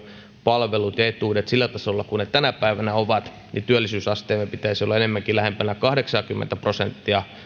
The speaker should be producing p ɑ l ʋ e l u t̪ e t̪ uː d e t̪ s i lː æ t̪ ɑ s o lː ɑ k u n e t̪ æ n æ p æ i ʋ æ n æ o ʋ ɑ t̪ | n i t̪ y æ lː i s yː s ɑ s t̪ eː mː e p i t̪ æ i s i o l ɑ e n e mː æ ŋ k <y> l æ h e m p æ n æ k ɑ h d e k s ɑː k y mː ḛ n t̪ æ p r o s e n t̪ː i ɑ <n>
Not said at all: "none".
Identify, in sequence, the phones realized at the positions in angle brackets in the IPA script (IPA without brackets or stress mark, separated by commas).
i, none